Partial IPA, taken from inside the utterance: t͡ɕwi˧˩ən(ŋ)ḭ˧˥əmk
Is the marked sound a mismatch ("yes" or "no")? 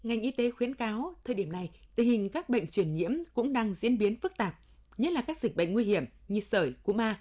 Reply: yes